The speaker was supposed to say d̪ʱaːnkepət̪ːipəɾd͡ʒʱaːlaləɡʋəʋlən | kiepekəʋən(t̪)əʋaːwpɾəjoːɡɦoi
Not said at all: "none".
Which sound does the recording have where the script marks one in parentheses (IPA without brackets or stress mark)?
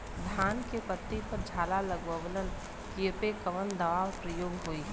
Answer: d̪